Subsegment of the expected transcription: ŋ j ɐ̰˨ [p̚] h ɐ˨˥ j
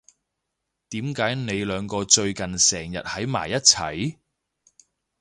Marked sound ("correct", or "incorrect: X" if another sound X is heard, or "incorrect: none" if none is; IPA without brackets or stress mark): incorrect: t̚